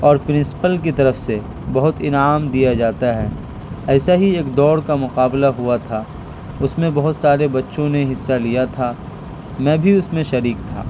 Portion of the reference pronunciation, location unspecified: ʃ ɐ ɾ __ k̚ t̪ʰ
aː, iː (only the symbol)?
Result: iː